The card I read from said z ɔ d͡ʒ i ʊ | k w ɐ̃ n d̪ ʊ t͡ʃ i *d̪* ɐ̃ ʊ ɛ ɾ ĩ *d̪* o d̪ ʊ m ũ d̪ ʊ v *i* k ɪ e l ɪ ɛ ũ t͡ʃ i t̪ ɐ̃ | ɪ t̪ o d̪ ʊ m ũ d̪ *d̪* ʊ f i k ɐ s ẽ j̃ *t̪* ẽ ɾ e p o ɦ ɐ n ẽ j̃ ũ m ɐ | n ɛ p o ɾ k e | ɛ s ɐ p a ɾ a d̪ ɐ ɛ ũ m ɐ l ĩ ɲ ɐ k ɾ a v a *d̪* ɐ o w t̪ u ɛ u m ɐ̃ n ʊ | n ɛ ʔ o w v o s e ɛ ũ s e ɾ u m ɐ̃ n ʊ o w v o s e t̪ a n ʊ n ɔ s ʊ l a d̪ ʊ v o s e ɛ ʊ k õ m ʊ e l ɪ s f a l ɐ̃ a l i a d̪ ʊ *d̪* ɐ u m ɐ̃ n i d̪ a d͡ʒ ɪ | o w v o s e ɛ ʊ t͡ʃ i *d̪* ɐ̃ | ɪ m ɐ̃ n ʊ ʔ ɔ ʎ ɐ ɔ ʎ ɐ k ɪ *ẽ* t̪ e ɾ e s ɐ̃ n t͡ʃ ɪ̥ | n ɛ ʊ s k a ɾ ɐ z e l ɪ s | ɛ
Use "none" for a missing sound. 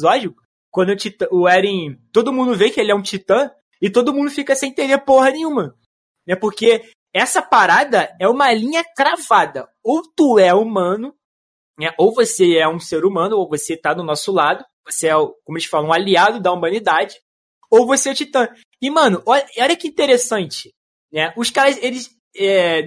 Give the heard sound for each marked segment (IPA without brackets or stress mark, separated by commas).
t̪, t̪, e, d̪, t̪, d̪, d̪, t̪, ĩ